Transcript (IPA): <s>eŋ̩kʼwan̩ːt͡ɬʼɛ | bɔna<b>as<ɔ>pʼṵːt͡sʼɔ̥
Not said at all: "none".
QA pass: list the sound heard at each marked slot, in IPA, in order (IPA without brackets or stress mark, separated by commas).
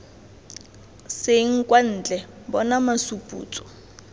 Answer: s, m, u